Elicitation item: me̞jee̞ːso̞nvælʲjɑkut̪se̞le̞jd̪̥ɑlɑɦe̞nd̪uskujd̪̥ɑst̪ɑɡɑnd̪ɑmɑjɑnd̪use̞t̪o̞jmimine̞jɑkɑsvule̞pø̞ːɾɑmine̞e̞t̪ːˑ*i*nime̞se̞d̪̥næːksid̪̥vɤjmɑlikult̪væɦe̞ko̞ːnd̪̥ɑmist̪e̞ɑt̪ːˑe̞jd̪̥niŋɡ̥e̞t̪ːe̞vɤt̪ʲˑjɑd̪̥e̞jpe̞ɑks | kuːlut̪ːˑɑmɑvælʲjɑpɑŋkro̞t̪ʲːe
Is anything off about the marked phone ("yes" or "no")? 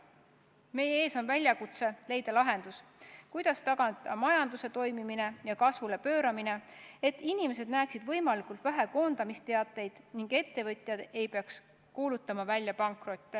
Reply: no